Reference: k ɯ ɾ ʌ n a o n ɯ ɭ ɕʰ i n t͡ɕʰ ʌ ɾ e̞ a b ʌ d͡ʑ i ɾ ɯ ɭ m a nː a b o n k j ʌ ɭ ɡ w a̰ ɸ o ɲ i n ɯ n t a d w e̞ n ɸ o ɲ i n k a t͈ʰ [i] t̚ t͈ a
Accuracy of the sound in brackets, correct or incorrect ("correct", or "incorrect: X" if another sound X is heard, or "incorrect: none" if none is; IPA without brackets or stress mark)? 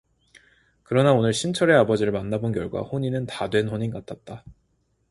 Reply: incorrect: a